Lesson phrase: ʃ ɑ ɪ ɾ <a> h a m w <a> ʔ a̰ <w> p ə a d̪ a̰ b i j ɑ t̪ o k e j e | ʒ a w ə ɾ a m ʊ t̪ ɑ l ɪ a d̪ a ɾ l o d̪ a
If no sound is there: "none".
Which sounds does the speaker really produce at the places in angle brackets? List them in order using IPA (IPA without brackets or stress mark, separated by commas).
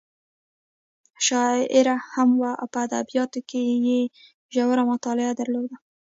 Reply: a, a, w